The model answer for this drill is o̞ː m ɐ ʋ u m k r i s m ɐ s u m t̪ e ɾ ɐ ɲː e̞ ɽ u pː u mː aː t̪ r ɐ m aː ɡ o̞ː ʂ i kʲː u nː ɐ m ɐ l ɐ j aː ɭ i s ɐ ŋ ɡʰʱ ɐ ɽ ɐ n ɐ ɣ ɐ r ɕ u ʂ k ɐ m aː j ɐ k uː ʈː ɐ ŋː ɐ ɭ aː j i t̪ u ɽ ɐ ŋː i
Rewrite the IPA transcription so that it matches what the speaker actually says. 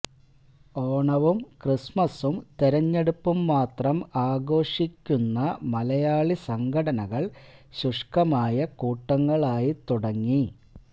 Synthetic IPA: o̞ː ɳ ɐ ʋ u m k r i s m ɐ s u m t̪ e ɾ ɐ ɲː e̞ ɽ u pː u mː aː t̪ r ɐ m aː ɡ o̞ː ʂ i kʲː u nː ɐ m ɐ l ɐ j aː ɭ i s ɐ ŋ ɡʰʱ ɐ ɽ ɐ n ɐ ɣ ɐ ɭ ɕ u ʂ k ɐ m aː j ɐ k uː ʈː ɐ ŋː ɐ ɭ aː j i t̪ u ɽ ɐ ŋː i